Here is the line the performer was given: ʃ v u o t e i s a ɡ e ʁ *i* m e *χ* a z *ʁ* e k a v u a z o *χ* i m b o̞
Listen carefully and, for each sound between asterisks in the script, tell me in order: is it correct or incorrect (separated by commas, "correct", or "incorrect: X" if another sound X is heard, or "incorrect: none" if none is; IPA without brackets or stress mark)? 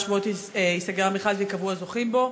incorrect: a, correct, incorrect: v, correct